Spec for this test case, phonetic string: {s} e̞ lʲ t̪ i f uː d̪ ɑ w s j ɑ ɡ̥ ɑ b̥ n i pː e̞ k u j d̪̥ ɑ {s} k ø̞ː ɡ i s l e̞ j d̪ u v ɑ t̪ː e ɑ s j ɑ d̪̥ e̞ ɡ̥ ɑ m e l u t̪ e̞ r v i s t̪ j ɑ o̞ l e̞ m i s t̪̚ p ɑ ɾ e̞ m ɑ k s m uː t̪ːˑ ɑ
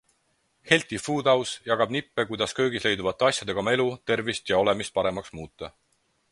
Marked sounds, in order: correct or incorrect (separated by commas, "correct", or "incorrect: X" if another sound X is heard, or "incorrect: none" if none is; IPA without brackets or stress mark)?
incorrect: h, correct